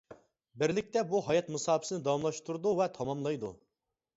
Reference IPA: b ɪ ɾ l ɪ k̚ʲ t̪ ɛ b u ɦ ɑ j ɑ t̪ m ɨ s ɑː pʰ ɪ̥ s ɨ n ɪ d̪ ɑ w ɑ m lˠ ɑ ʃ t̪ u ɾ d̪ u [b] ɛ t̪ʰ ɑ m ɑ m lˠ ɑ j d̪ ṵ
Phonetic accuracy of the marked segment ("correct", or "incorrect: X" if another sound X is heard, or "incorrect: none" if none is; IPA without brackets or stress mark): incorrect: v